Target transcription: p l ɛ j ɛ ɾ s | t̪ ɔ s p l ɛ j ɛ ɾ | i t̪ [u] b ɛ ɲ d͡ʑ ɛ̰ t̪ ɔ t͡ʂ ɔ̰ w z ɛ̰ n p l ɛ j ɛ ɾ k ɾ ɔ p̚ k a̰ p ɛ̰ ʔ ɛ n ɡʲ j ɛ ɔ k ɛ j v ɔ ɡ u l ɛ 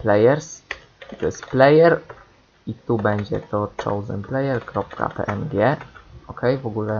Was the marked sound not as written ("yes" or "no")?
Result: no